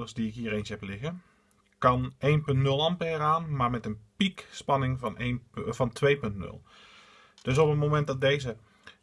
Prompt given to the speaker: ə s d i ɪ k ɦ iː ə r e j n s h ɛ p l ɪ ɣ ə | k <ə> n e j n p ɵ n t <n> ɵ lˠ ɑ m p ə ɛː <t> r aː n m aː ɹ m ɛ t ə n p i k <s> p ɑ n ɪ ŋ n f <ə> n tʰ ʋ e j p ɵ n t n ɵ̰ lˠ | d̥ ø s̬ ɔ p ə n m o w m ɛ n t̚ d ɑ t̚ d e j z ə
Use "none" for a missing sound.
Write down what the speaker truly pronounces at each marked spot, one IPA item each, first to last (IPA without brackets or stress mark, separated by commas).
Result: ɑ, n, none, s, ɑ